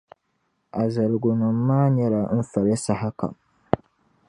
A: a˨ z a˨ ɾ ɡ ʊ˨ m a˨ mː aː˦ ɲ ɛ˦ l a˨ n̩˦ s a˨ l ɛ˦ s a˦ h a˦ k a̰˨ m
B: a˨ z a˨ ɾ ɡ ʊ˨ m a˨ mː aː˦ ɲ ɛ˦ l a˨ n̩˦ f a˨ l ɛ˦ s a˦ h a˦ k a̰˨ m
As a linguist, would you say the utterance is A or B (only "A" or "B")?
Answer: B